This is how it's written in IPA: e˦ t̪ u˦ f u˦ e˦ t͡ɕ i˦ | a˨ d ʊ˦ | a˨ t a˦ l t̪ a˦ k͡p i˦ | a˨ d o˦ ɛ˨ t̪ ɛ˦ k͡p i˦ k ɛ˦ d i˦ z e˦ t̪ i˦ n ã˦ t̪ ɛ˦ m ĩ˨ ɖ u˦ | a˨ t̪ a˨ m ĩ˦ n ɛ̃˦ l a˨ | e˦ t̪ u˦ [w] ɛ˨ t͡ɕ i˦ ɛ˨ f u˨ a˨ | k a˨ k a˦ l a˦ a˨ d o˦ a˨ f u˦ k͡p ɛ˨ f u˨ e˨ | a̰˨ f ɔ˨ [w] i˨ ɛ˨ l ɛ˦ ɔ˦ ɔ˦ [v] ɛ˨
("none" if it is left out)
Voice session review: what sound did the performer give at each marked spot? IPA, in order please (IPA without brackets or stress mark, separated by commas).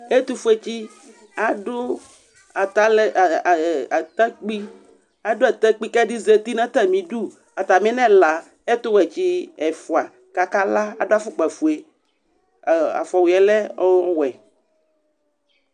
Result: w, w, w